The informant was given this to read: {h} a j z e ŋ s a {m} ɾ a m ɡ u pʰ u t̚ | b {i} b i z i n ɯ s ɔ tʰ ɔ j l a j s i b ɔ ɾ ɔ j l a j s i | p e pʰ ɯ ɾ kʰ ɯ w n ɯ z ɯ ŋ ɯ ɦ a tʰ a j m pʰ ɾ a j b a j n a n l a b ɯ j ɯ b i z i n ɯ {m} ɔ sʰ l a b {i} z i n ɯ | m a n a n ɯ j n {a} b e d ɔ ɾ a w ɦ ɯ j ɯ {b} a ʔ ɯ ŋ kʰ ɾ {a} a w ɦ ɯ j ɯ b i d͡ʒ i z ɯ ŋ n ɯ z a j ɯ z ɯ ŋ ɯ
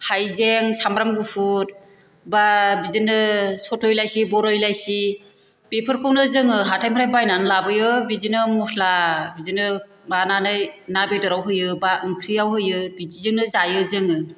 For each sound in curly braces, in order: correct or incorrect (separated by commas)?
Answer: correct, correct, incorrect, correct, correct, correct, correct, incorrect